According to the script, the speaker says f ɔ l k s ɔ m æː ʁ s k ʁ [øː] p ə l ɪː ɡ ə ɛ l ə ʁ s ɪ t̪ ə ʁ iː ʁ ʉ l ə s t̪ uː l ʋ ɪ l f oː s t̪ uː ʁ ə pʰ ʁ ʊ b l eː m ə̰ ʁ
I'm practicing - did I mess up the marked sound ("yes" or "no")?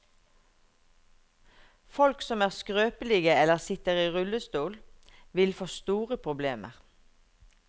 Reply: no